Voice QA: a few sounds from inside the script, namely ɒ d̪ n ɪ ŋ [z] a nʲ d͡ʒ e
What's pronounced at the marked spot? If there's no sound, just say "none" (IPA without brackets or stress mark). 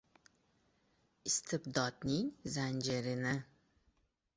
z